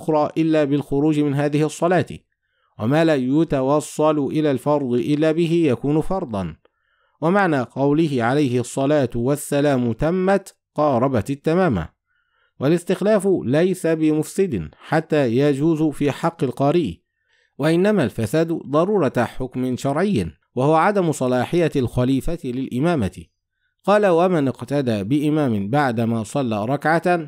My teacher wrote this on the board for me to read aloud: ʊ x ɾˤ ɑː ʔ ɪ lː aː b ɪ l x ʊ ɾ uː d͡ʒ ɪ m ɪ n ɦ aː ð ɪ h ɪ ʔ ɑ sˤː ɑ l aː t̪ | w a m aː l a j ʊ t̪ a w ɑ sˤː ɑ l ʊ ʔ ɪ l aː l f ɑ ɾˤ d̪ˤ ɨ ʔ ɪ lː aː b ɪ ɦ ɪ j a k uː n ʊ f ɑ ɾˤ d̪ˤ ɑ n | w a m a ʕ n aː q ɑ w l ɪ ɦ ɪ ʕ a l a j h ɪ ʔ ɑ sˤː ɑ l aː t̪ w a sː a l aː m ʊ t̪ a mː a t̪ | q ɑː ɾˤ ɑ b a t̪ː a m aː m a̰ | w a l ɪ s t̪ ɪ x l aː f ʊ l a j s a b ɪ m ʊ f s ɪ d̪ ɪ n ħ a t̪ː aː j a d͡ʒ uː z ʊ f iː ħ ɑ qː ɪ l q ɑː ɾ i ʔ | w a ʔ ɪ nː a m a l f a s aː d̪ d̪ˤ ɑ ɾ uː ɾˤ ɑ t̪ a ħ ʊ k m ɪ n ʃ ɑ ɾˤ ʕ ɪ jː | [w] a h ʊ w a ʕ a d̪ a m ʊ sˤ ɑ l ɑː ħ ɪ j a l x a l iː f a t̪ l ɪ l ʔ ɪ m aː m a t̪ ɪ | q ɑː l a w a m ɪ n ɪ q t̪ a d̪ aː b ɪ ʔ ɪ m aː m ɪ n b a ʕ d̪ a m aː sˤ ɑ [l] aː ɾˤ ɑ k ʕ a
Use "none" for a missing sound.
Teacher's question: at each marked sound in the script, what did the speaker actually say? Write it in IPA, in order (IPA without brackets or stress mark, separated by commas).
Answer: w, lː